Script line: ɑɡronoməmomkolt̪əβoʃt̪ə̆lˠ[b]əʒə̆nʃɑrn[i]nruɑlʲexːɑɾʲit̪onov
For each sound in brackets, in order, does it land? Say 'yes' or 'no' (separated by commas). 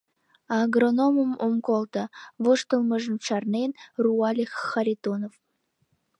no, no